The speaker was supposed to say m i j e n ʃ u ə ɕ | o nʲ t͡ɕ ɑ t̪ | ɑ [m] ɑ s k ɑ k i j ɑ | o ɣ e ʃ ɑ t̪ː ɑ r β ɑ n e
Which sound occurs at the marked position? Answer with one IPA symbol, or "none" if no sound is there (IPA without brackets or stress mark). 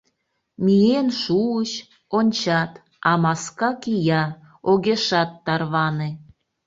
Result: m